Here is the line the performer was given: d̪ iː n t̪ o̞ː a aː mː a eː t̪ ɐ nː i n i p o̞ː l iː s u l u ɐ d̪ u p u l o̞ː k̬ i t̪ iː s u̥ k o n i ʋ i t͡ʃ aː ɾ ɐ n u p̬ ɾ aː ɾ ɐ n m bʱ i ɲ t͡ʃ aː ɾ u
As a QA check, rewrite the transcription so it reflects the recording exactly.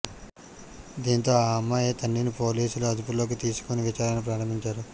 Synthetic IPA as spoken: d̪ iː n t̪ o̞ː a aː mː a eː t̪ ɐ nː i n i p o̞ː l iː s u l u ɐ d̪ u p u l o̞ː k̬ i t̪ iː s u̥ k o n i ʋ i t͡ʃ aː ɾ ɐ n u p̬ ɾ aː ɾ ɐ m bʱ i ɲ t͡ʃ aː ɾ u